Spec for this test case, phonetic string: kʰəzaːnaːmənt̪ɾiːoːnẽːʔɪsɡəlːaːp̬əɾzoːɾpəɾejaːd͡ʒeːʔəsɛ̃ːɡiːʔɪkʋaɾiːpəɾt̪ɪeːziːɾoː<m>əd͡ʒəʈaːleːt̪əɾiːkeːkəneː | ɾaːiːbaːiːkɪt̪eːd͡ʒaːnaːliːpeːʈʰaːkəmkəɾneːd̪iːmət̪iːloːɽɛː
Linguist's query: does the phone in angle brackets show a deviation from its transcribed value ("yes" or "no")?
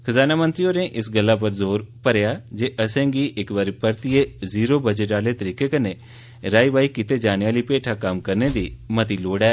yes